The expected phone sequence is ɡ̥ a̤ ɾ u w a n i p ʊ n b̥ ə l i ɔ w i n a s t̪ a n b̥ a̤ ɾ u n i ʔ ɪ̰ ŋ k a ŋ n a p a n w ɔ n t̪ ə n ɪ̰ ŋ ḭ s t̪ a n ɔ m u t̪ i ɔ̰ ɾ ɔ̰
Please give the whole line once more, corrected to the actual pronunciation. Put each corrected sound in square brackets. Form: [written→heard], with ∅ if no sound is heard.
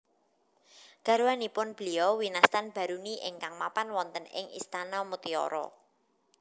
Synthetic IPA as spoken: ɡ̥ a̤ ɾ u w a n i p ʊ n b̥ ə l i ɔ w i n a s t̪ a n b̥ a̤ ɾ u n i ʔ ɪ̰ ŋ k a ŋ [n→m] a p a n w ɔ n t̪ ə n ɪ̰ ŋ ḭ s t̪ a n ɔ m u t̪ i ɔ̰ ɾ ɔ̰